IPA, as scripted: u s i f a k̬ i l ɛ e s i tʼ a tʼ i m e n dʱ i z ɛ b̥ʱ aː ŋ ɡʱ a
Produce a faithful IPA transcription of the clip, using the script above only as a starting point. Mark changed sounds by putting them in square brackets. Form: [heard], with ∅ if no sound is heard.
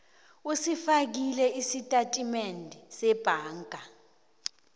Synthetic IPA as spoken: u s i f a k̬ i l ɛ [i] s i tʼ a tʼ i m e n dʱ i [s] ɛ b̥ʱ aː ŋ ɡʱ a